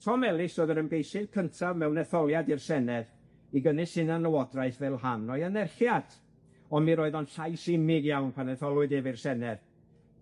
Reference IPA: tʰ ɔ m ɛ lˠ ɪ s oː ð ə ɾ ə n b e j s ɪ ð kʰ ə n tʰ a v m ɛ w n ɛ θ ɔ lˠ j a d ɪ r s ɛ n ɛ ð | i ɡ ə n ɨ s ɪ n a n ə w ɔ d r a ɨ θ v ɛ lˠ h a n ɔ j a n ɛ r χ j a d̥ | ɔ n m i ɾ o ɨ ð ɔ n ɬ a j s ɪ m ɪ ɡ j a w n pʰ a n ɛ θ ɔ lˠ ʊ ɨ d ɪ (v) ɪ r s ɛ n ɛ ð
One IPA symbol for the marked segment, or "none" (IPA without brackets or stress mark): v